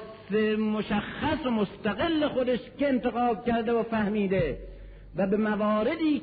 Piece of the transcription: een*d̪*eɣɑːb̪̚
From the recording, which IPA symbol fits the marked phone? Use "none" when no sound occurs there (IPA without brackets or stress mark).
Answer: t̪